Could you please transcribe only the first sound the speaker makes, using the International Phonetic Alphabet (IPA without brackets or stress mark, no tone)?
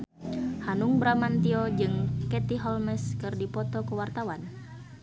h